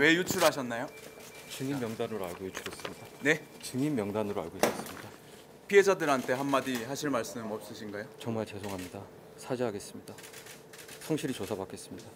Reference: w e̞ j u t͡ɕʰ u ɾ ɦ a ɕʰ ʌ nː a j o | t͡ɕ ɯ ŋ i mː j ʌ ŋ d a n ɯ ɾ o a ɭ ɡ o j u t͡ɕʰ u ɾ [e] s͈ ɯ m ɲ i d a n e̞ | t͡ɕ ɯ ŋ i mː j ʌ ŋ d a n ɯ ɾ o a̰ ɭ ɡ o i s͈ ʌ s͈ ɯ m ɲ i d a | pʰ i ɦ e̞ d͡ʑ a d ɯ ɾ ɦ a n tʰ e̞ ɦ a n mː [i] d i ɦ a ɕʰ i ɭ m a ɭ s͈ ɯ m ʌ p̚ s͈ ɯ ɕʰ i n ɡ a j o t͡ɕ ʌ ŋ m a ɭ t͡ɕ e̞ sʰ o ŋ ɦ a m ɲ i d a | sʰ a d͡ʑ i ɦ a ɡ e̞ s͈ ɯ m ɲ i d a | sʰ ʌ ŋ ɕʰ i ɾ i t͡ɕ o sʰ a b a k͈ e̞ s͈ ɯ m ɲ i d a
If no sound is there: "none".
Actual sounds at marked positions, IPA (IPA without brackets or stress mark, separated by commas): e, a